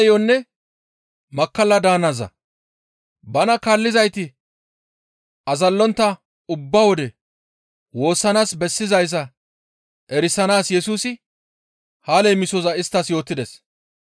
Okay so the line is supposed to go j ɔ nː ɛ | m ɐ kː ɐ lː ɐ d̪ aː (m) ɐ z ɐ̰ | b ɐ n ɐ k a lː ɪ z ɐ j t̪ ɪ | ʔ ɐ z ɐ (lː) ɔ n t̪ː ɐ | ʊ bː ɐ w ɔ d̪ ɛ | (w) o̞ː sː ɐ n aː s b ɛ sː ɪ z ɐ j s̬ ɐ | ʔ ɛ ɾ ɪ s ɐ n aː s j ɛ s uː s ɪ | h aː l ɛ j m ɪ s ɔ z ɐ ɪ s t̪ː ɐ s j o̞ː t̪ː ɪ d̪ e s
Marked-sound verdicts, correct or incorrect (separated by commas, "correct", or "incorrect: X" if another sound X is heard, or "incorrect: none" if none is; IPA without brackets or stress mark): incorrect: n, correct, correct